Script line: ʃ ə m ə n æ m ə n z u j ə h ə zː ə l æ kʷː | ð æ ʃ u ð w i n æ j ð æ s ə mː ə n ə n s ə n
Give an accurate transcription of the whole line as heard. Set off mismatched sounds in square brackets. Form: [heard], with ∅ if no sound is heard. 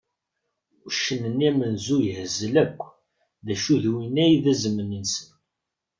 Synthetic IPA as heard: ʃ ə [n] ə n æ m ə n z u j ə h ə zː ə l æ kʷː | ð æ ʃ u ð w i n æ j ð æ [z] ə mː ə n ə n s ə n